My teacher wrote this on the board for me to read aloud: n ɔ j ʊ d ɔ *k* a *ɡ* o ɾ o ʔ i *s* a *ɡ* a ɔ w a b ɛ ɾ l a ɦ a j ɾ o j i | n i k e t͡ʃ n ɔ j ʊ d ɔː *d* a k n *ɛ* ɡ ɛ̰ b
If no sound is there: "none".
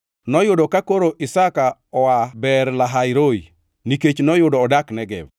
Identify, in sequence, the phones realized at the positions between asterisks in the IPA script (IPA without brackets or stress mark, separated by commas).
k, k, s, k, d, ɛ